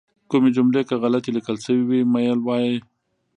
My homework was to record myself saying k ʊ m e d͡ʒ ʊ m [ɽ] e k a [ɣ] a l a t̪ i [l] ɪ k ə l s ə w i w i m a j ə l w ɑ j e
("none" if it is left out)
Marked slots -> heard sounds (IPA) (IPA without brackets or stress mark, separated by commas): l, ɣ, l